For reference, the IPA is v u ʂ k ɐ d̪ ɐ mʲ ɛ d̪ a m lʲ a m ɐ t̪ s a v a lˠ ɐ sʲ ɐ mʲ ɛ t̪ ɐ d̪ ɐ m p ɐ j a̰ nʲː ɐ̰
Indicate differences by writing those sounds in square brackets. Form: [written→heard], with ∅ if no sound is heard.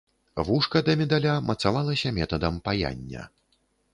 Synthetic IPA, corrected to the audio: v u ʂ k ɐ d̪ ɐ mʲ ɛ d̪ a [m→∅] lʲ a m ɐ t̪ s a v a lˠ ɐ sʲ ɐ mʲ ɛ t̪ ɐ d̪ ɐ m p [ɐ→a] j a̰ nʲː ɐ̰